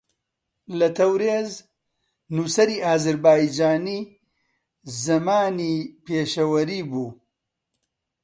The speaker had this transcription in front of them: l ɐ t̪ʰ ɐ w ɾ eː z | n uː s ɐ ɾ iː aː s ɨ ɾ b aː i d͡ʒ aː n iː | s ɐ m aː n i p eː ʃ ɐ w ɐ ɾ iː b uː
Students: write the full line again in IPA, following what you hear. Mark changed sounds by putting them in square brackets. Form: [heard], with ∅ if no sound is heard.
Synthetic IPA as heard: l ɐ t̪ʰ ɐ w ɾ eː z | n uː s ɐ ɾ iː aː [z] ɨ ɾ b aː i d͡ʒ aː n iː | [z] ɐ m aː n i p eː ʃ ɐ w ɐ ɾ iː b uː